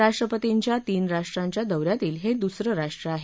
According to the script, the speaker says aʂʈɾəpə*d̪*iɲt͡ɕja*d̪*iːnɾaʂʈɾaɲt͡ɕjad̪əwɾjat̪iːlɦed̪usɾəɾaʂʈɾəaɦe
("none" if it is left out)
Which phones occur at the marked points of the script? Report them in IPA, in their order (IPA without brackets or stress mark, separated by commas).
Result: t̪, t̪